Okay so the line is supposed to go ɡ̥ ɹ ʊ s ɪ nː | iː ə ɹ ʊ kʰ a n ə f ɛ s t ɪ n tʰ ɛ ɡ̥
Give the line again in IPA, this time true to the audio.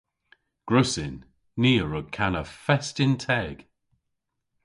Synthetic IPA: ɡ̥ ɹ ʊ s ɪ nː | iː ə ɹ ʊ kʰ a n ə f ɛ s t ɪ n tʰ ɛ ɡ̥